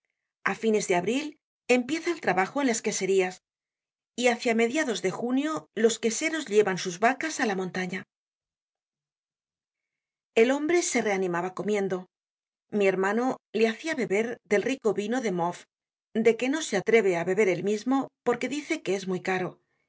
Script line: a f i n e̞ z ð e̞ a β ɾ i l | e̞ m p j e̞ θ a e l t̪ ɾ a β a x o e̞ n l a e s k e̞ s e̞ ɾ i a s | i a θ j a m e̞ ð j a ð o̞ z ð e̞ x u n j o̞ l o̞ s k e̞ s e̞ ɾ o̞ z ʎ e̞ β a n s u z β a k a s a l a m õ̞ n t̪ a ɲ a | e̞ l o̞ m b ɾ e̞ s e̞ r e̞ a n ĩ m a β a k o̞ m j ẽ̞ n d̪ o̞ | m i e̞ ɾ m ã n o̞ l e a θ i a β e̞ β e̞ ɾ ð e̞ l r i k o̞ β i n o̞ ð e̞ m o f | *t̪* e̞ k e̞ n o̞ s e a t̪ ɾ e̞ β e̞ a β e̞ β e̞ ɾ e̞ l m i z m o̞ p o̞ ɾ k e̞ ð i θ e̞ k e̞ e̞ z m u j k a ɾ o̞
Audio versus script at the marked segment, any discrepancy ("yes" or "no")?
yes